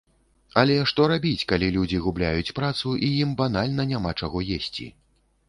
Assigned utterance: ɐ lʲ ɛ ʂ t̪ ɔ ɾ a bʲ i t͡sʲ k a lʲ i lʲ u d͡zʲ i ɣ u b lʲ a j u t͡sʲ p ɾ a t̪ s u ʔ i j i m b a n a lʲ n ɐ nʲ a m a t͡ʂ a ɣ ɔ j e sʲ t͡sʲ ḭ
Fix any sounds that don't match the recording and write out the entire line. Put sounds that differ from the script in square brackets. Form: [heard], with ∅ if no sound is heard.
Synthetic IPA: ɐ lʲ ɛ ʂ t̪ ɔ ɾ a bʲ i t͡sʲ k a lʲ i lʲ u d͡zʲ i ɣ u b lʲ a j u t͡sʲ p ɾ a t̪ s u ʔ i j i m b a n a lʲ n ɐ nʲ a m a t͡ʂ a ɣ ɔ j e sʲ t͡sʲ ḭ